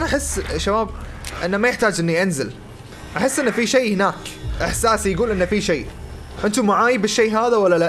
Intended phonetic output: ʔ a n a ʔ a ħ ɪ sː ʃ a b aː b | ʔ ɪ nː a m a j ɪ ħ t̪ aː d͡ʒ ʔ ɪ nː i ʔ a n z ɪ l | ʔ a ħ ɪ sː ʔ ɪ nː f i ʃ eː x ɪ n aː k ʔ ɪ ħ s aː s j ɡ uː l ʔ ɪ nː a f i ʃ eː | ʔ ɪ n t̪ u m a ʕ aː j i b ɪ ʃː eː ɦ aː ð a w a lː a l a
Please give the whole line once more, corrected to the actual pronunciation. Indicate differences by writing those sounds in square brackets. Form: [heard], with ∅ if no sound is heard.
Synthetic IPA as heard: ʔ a n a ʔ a ħ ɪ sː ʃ a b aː b | ʔ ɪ nː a m a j ɪ ħ t̪ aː d͡ʒ ʔ ɪ nː i ʔ a n z ɪ l | ʔ a ħ ɪ sː ʔ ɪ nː f i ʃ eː [h] ɪ n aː k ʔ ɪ ħ s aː s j ɡ uː l ʔ ɪ nː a f i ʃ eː | ʔ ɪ n t̪ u m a ʕ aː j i b ɪ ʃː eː ɦ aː ð a w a lː a l a